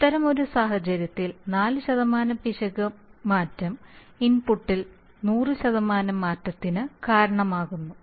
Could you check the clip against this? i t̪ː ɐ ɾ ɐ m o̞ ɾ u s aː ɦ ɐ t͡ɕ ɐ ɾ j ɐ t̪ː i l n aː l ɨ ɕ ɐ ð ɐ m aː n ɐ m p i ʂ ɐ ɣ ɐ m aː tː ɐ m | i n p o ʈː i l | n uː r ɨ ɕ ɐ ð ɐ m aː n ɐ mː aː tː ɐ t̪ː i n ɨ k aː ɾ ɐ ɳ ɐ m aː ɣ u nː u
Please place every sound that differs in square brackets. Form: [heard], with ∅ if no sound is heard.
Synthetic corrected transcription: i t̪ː ɐ ɾ ɐ m o̞ ɾ u s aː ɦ ɐ t͡ɕ ɐ ɾ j ɐ t̪ː i l n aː l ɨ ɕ ɐ ð ɐ m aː n ɐ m p i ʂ ɐ ɣ ɐ m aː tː ɐ m | i n p [u] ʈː i l | n uː r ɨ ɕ ɐ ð ɐ m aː n ɐ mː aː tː ɐ t̪ː i n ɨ k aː ɾ ɐ ɳ ɐ m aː ɣ u nː u

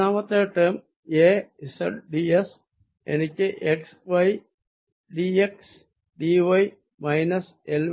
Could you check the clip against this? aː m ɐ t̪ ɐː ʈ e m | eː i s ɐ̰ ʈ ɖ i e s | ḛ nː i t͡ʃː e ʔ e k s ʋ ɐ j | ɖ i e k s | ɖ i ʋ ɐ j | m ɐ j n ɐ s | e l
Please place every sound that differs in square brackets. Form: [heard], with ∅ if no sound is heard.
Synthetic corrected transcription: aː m ɐ t̪ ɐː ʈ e m | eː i s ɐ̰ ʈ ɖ i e s | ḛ [n] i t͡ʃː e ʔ e k s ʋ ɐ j | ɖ i e k s | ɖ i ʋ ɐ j | m ɐ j n ɐ s | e l

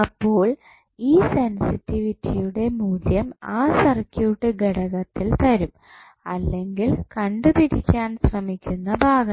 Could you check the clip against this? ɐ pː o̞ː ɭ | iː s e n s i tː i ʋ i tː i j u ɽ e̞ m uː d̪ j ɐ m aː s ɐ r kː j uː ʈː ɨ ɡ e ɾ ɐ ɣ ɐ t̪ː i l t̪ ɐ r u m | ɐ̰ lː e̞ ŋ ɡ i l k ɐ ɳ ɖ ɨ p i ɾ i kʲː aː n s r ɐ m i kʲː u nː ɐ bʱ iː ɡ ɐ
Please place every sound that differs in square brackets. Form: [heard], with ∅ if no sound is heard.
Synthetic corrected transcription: ɐ pː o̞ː ɭ | iː s e n s i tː i ʋ i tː i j u ɽ e̞ m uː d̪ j ɐ m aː s ɐ r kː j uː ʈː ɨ ɡ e [ɽ] ɐ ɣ ɐ t̪ː i l t̪ ɐ [ɾ] u m | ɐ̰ lː e̞ ŋ ɡ i l k ɐ ɳ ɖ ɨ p i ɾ i kʲː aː n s r ɐ m i kʲː u nː ɐ bʱ [aː] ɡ ɐ

